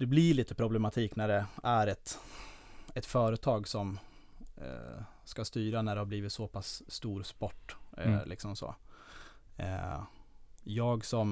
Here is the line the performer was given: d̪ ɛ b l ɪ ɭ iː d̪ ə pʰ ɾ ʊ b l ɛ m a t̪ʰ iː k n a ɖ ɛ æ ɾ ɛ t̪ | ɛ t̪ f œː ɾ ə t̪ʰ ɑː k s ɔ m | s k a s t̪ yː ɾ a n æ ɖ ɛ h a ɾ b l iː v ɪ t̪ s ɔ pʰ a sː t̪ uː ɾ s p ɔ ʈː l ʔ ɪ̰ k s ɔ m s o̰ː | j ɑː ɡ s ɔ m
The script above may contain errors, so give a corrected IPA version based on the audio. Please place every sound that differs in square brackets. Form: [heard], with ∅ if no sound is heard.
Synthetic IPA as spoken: d̪ ɛ b l ɪ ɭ iː [t̪] ə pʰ ɾ ʊ b l ɛ m a t̪ʰ iː k n [æ] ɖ ɛ æ ɾ ɛ t̪ | ɛ t̪ f œː ɾ ə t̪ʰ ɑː [ɡ] s ɔ m | s k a s t̪ yː ɾ a n æ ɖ ɛ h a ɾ b l iː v ɪ t̪ s ɔ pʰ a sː t̪ uː ɾ s p ɔ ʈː l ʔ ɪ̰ k s ɔ m s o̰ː | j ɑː ɡ s ɔ m